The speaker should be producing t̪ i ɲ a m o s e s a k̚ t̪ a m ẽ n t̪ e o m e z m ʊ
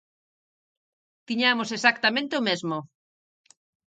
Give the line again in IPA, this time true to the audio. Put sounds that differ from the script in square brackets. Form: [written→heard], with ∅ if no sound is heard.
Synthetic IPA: t̪ i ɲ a m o s e s a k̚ t̪ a m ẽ n t̪ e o m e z m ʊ